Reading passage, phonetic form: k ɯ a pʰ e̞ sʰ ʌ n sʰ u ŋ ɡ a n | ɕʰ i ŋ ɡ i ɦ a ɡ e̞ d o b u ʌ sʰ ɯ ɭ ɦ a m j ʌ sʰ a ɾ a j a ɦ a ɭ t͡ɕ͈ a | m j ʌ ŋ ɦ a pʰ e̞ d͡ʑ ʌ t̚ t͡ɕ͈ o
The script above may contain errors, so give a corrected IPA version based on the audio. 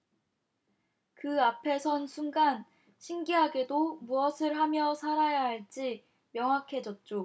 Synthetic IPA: k ɯ a pʰ e̞ sʰ ʌ n sʰ u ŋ ɡ a n | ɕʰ i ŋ ɡ i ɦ a ɡ e̞ d o m u ʌ sʰ ɯ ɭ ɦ a m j ʌ sʰ a ɾ a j a ɦ a ɭ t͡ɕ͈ i | m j ʌ ŋ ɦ a kʰ e̞ d͡ʑ ʌ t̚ t͡ɕ͈ o